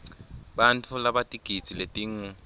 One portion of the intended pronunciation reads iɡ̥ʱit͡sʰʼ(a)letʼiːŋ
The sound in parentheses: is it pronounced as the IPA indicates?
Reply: no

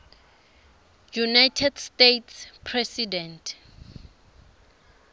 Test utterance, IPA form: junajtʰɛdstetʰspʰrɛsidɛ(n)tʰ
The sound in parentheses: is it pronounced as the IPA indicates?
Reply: yes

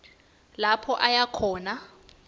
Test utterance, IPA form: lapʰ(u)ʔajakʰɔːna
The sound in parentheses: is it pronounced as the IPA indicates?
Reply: no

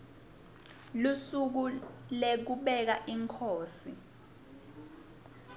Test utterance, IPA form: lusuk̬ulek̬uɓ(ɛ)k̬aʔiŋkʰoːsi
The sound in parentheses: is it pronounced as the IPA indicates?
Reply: yes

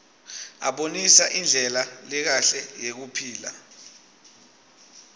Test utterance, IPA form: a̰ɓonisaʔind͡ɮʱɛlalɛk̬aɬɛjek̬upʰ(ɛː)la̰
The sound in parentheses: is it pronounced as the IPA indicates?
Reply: no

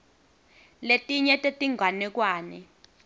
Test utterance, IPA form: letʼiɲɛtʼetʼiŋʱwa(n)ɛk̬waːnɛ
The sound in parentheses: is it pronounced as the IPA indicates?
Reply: yes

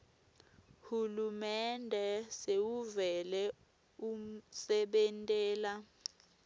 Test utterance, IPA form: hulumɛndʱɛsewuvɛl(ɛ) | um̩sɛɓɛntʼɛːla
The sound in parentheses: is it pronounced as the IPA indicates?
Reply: yes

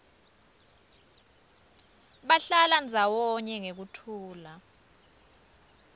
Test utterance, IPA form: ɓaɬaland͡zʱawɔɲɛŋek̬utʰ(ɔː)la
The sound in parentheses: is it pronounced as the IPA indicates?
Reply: no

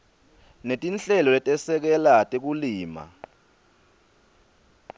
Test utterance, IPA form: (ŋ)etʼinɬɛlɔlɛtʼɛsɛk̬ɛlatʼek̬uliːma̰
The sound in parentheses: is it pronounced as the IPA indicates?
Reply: no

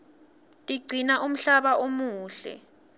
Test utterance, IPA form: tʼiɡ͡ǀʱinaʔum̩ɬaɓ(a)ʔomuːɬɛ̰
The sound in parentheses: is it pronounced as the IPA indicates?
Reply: yes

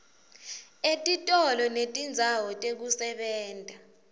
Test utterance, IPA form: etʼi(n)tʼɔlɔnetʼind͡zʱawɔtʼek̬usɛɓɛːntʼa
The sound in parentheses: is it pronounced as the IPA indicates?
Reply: no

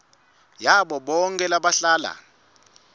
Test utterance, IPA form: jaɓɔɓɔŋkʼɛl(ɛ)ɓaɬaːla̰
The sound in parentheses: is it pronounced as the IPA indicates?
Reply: no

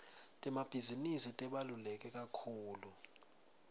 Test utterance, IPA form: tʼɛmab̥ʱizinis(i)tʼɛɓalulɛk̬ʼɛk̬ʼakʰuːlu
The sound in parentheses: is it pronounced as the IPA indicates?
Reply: yes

